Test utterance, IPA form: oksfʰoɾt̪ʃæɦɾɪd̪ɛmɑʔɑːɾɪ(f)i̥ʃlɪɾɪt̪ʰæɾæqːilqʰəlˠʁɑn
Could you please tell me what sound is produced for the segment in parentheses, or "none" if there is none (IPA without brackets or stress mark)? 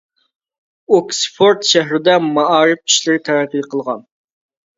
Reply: f